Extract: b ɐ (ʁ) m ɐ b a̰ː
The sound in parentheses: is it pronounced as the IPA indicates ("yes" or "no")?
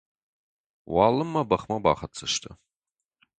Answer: no